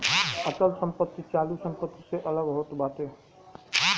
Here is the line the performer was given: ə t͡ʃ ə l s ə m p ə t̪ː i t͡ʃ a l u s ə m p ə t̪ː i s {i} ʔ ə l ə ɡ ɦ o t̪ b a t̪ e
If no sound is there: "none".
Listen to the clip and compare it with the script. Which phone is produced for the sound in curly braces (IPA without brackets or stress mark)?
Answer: e